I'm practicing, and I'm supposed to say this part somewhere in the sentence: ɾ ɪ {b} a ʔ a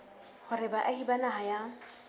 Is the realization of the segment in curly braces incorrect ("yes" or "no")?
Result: no